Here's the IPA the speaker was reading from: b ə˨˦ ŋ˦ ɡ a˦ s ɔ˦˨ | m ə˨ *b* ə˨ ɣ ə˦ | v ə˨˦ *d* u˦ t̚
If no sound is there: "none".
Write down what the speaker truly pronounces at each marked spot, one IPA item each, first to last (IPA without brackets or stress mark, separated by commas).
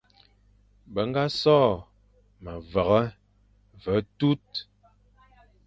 v, t